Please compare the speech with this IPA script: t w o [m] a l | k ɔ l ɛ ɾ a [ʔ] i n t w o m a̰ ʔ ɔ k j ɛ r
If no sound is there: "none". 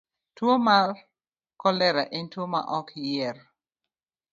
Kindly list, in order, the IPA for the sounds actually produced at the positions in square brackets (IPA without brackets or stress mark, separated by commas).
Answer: m, ʔ